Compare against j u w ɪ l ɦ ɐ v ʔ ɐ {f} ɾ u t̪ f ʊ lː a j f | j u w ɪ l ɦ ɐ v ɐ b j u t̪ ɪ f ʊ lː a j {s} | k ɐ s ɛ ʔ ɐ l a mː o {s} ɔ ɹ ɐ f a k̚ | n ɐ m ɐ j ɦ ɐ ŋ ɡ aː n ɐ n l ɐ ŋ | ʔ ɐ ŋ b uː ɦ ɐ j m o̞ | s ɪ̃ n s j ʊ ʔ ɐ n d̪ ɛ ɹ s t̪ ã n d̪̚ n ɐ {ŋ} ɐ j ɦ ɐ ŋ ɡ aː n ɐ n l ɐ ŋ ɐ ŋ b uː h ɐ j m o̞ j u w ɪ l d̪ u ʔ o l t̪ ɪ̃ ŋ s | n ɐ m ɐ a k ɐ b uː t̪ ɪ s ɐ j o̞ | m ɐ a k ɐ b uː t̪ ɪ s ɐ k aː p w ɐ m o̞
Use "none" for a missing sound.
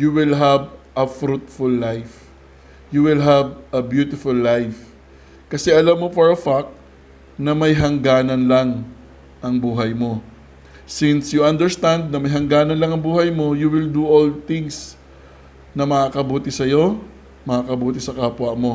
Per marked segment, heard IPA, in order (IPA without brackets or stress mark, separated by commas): f, f, f, m